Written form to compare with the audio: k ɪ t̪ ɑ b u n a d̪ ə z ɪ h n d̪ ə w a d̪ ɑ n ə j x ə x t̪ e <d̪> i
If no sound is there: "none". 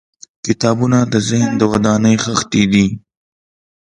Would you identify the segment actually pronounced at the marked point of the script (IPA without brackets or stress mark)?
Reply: d̪